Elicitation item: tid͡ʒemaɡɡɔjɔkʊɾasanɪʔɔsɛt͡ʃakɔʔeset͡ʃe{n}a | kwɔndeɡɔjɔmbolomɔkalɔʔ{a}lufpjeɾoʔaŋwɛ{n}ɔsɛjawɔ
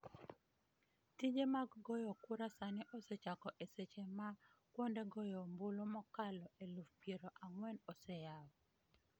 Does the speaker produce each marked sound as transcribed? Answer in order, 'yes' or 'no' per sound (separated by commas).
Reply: no, no, yes